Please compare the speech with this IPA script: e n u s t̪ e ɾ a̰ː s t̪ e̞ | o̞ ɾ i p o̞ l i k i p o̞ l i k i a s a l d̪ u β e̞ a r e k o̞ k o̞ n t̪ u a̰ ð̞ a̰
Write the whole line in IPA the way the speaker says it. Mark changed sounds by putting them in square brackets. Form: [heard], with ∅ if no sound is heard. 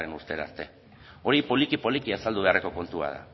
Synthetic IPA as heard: e n u s t̪ e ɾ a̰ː s t̪ e̞ | o̞ ɾ i p o̞ l i k i p o̞ l i k i a s a l d̪ u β e̞ a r e k o̞ k o̞ n t̪ u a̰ ð̞ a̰